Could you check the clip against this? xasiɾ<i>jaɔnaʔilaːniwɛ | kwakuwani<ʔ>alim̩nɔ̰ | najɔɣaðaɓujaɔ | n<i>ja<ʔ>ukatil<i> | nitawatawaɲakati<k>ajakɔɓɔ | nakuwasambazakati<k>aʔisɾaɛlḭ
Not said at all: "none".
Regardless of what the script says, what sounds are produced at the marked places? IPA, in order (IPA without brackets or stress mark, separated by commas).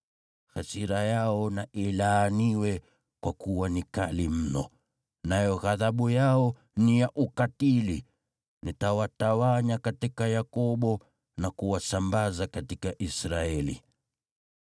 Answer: a, k, i, ʔ, i, k, k